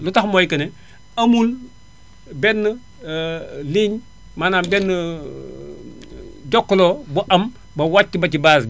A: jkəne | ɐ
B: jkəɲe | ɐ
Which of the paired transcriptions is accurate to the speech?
A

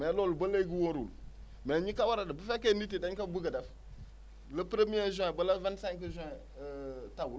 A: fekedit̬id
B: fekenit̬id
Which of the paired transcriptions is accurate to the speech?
B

